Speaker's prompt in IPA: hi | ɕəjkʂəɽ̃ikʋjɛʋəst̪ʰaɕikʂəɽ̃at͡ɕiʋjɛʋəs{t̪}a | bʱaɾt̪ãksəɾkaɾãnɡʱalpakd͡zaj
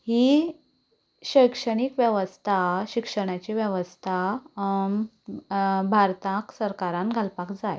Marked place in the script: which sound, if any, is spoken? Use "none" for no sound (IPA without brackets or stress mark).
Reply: t̪ʰ